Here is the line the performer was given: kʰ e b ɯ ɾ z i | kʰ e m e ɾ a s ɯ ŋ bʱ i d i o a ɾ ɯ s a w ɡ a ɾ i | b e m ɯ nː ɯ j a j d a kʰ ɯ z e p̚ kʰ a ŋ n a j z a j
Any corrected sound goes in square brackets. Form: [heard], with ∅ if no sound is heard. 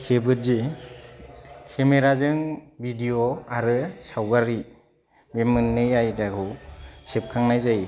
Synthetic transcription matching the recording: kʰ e b ɯ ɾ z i | kʰ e m e ɾ a [z] ɯ ŋ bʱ i d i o a ɾ ɯ s a w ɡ a ɾ i | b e m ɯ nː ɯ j a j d a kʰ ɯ [s] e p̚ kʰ a ŋ n a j z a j

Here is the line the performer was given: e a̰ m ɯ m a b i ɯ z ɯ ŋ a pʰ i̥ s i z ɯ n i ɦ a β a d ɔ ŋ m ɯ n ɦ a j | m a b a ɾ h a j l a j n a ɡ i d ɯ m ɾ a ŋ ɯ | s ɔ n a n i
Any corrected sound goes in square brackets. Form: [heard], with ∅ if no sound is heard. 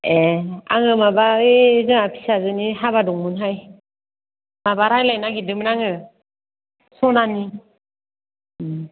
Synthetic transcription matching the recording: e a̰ [ŋ] ɯ m a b [a] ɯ z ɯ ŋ a pʰ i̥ s [a] z ɯ n i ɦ a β a d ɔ ŋ m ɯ n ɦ a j | m a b a ɾ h a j l a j n a ɡ i d ɯ m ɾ a ŋ ɯ | s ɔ n a n i

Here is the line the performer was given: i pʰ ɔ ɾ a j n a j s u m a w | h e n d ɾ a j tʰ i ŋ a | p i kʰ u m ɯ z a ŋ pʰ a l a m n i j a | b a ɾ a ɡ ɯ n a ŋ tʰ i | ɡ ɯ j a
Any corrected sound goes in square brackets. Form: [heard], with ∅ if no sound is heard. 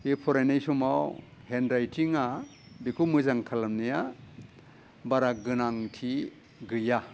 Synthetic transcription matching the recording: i pʰ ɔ ɾ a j n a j s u m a w | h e n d ɾ a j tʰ i ŋ a | [b] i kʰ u m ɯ z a ŋ [kʰ] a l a m n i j a | b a ɾ a ɡ ɯ n a ŋ tʰ i | ɡ ɯ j a

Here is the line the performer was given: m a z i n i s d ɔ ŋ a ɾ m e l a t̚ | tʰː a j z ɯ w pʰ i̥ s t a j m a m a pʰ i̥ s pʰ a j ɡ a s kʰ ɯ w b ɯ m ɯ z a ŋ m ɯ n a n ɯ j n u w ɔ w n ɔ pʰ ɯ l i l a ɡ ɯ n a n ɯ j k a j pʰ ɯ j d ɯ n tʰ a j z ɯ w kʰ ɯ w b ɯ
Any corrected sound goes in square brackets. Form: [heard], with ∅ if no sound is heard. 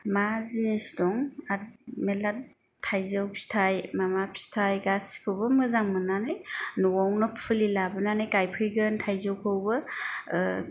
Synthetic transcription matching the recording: m a z i n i s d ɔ ŋ a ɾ m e l a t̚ | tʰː a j z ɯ w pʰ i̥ s [tʰ] a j m a m a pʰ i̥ s [tʰ] a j ɡ a s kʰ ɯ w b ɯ m ɯ z a ŋ m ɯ n a n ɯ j n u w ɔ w n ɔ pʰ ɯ l i l a [b] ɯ n a n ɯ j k a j pʰ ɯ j [ɡ] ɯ n tʰ a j z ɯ w kʰ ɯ w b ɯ

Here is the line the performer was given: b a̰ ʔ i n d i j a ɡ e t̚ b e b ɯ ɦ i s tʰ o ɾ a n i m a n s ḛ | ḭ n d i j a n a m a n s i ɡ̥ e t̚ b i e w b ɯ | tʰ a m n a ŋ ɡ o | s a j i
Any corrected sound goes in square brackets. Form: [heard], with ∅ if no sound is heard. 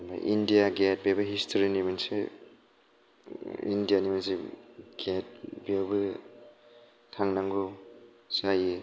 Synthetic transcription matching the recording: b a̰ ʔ i n d i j a ɡ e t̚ b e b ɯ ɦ i s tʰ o ɾ [i] n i m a n s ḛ | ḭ n d i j a n [i] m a n s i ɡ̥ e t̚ b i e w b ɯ | tʰ a [ŋ] n a ŋ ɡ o | s a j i

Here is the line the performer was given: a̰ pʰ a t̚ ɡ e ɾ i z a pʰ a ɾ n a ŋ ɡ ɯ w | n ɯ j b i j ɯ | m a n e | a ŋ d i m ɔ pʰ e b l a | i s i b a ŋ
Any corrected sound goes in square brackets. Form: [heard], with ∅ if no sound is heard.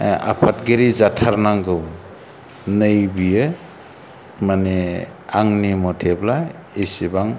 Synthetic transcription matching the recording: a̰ pʰ a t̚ ɡ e ɾ i z a [tʰ] a ɾ n a ŋ ɡ ɯ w | n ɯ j b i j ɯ | m a n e | a ŋ [n] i m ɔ [tʰ] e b l a | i s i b a ŋ

